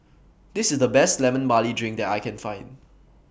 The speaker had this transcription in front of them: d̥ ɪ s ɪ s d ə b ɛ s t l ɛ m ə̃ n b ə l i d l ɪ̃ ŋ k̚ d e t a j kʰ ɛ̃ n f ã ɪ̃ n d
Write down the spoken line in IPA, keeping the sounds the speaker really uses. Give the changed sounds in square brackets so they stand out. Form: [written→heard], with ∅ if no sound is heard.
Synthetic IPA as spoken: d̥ ɪ s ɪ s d ə b ɛ s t l ɛ m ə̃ n b [ə→a] l i d [l→ɹ] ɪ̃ ŋ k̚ d [e→ɛ] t a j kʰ ɛ̃ n f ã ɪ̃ n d